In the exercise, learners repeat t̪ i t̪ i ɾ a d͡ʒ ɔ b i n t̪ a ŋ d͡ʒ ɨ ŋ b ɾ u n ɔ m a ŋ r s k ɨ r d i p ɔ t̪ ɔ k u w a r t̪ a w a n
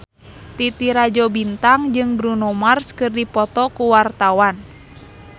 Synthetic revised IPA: t̪ i t̪ i ɾ a d͡ʒ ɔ b i n t̪ a ŋ d͡ʒ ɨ ŋ b ɾ u n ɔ m a r s k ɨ r d i p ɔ t̪ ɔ k u w a r t̪ a w a n